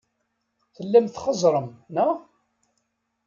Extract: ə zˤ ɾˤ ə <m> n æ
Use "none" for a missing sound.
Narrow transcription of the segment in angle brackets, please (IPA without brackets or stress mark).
m